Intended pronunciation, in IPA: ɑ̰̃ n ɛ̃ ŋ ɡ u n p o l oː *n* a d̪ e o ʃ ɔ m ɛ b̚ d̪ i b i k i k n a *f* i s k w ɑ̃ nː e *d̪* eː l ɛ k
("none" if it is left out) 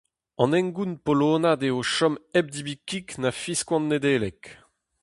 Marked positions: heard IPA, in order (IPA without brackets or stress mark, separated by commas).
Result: n, f, d̪